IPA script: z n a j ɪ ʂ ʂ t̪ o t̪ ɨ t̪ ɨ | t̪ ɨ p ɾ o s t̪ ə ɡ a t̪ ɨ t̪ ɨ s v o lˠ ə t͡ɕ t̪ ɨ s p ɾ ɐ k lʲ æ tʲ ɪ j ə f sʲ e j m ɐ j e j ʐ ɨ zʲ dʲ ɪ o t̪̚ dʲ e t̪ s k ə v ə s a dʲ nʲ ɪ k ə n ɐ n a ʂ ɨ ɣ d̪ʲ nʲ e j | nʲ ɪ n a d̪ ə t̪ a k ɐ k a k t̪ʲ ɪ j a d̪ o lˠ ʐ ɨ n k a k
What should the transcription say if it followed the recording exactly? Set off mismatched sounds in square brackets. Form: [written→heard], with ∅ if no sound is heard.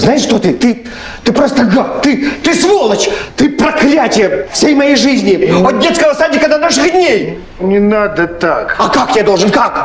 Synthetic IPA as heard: z n a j ɪ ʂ ʂ t̪ o t̪ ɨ t̪ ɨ | t̪ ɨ p ɾ o s t̪ ə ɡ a t̪ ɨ t̪ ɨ s v o lˠ ə t͡ɕ t̪ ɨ [s→∅] p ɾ ɐ k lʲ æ tʲ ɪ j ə f sʲ e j m ɐ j e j ʐ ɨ zʲ [dʲ→nʲ] ɪ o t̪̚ dʲ e t̪ s k ə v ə s a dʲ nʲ ɪ k ə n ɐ n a ʂ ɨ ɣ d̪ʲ nʲ e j | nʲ ɪ n a d̪ ə t̪ a k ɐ k a k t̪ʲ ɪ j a d̪ o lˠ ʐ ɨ n k a k